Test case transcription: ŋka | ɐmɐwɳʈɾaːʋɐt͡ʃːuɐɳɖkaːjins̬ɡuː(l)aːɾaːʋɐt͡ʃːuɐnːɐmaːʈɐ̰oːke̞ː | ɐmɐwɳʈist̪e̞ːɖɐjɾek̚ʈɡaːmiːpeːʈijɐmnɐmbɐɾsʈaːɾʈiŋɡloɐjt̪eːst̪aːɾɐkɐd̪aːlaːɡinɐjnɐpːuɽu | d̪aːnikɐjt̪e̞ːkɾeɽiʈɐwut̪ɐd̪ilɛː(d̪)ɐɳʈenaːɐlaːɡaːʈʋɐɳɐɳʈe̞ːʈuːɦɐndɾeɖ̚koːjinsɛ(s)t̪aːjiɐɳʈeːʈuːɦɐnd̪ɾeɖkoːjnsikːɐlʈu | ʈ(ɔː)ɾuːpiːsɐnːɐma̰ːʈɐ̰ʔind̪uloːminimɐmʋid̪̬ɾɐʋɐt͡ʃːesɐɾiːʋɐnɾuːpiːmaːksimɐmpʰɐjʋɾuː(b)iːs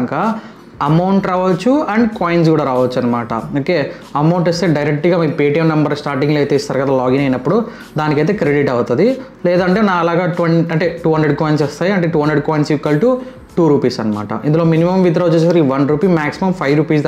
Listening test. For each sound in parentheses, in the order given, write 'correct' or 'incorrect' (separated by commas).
incorrect, correct, correct, incorrect, incorrect